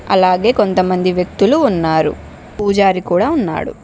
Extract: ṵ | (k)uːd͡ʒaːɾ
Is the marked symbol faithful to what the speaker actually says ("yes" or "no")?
no